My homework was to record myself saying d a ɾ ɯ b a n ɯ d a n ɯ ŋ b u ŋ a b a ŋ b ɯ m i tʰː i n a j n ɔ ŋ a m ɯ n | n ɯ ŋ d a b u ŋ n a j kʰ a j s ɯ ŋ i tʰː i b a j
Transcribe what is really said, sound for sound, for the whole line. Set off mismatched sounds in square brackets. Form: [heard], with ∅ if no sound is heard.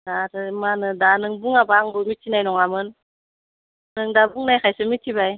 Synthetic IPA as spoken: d a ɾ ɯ [m] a n ɯ d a n ɯ ŋ b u ŋ a b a ŋ b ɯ m i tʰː i n a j n ɔ ŋ a m ɯ n | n ɯ ŋ d a b u ŋ n a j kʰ a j s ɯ [m] i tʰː i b a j